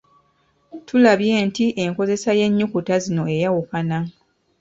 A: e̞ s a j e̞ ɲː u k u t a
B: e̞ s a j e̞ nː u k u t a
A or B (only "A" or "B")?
A